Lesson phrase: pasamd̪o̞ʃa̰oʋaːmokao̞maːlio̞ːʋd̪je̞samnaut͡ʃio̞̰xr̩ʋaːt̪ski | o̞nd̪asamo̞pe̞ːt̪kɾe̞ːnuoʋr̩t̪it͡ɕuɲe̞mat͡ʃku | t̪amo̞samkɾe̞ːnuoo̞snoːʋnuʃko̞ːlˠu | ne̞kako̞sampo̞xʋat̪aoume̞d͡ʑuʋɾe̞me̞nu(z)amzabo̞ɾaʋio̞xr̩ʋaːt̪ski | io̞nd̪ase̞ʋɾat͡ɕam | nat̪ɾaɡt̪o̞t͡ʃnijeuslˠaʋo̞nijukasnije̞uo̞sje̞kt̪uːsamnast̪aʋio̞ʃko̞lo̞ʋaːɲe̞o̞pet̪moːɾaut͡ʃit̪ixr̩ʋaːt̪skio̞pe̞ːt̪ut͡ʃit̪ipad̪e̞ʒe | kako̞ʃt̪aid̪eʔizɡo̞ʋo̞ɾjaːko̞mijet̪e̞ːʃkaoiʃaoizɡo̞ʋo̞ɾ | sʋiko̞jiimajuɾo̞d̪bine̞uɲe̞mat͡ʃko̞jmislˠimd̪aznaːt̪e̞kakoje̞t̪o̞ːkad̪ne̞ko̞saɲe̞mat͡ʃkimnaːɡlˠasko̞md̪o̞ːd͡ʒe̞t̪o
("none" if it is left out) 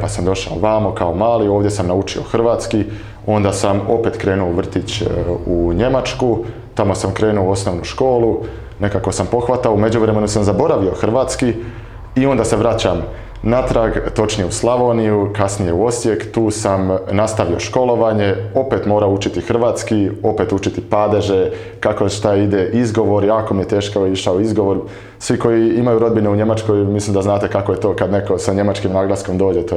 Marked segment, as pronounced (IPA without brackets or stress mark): s